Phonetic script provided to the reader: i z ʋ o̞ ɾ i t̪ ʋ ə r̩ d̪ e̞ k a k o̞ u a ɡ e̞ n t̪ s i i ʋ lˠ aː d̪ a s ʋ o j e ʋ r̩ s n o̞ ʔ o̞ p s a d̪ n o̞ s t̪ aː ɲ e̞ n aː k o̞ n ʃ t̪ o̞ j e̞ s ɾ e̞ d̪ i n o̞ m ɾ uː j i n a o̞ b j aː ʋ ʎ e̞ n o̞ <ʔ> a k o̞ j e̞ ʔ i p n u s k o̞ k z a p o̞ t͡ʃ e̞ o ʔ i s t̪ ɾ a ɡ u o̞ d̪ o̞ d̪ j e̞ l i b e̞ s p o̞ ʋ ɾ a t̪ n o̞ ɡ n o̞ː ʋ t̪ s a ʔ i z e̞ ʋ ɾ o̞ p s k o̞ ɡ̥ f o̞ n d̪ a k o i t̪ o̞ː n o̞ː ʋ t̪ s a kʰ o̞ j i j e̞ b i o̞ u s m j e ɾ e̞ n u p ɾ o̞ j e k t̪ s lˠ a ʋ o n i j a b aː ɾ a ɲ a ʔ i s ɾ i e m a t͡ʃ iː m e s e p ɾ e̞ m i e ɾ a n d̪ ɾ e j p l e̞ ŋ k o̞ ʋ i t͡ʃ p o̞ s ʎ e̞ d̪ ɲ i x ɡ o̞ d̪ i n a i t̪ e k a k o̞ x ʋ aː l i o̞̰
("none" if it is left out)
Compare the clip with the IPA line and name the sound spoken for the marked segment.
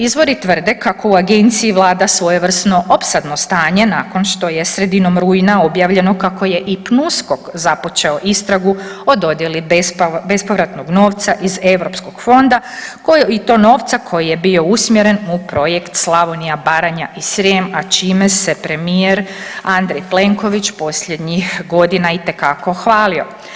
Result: k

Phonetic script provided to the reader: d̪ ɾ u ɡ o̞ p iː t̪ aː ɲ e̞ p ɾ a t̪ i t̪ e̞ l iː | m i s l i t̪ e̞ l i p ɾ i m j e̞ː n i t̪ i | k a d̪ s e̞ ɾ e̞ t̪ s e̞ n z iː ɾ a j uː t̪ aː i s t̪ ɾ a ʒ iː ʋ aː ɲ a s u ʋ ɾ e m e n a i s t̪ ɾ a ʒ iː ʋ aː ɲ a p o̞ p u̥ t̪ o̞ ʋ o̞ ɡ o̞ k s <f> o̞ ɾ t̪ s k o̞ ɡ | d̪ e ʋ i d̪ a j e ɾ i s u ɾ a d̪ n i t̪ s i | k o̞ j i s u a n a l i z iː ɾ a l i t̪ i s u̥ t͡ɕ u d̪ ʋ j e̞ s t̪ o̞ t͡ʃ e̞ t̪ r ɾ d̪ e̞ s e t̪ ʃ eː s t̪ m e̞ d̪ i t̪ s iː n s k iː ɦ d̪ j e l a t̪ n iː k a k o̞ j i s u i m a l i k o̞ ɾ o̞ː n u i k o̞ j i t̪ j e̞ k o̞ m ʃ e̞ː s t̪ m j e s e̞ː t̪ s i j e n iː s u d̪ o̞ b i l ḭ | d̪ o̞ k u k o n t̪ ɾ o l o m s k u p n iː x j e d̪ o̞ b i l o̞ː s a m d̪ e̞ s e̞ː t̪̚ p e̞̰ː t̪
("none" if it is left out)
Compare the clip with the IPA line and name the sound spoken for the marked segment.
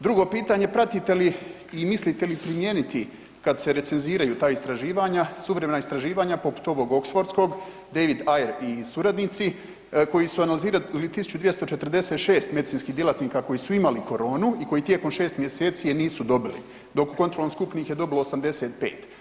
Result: f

